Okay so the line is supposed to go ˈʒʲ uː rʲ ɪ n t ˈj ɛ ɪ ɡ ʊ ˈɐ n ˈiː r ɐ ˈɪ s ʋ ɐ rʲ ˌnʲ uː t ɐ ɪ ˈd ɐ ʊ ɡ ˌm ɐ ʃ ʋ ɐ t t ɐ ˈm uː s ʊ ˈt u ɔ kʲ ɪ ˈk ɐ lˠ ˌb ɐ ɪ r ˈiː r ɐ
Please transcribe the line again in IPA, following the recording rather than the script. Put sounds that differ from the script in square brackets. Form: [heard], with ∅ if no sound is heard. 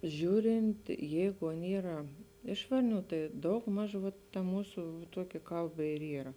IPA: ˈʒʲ uː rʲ ɪ n t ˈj ɛ ɪ ɡ ʊ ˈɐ n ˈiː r ɐ ˈɪ [ʃ] ʋ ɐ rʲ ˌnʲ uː t ɐ ɪ ˈd ɐ ʊ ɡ ˌm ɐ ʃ ʋ ɐ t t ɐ ˈm uː s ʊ ˈt u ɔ kʲ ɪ ˈk ɐ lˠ ˌb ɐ ɪ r ˈiː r ɐ